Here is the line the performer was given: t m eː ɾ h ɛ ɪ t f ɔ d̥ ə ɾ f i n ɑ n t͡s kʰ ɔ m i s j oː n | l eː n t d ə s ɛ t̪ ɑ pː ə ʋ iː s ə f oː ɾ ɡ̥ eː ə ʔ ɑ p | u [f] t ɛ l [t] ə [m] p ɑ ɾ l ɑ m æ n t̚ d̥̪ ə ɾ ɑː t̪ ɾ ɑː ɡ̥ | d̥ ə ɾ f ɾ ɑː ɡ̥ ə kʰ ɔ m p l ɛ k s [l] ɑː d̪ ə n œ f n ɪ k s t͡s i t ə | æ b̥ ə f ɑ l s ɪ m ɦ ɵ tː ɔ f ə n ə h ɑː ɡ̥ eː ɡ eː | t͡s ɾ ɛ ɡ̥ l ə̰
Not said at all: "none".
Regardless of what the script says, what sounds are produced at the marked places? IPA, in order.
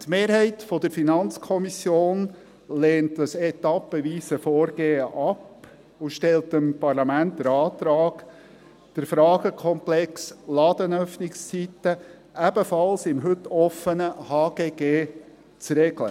ʃ, t, m, l

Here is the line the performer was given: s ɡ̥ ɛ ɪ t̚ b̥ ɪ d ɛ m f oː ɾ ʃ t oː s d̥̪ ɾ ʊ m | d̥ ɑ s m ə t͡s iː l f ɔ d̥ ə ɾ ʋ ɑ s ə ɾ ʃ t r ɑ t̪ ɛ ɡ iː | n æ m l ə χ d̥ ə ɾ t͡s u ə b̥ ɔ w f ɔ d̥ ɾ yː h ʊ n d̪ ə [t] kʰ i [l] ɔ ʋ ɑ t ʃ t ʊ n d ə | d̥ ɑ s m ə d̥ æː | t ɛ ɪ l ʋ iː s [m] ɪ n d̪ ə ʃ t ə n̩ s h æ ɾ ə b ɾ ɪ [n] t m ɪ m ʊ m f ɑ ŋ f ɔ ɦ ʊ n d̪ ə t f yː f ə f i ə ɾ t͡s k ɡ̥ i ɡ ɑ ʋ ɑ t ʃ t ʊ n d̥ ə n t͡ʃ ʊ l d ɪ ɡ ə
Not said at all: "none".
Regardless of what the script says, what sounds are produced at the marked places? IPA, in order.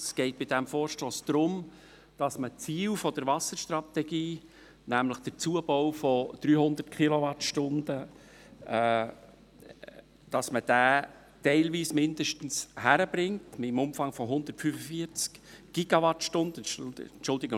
t, l, m, ŋ

